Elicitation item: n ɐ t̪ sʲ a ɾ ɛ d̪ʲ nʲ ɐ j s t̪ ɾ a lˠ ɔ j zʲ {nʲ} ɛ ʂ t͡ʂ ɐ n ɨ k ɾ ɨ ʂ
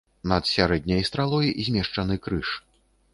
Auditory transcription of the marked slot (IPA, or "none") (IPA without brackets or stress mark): mʲ